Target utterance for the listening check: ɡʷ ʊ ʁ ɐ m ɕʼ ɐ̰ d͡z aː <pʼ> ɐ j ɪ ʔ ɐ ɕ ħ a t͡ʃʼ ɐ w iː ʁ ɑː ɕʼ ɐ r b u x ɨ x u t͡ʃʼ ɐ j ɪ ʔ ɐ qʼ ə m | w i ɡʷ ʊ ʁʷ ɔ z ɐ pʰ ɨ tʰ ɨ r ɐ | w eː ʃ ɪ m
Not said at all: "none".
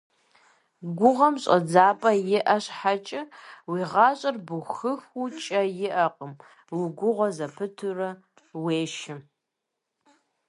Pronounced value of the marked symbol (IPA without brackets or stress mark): pʼ